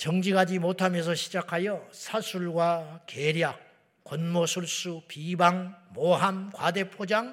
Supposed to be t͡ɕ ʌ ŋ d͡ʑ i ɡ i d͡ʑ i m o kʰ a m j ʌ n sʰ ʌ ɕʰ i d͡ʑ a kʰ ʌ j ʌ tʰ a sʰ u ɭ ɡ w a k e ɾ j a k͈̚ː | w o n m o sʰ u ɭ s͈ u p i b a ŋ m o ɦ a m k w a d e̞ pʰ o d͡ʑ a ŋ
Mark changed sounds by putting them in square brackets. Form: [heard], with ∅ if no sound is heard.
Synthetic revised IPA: t͡ɕ ʌ ŋ d͡ʑ i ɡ [a] d͡ʑ i m o [tʰ] a m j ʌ n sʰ ʌ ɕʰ i d͡ʑ a kʰ [a] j ʌ [sʰ] a sʰ u ɭ ɡ w a k e ɾ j a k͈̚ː | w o n m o sʰ u ɭ s͈ u p i b a ŋ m o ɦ a m k w a d e̞ pʰ o d͡ʑ a ŋ